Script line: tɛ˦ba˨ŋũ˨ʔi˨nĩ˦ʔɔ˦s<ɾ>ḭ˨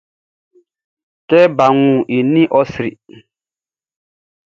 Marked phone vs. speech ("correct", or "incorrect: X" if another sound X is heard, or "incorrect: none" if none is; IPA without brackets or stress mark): correct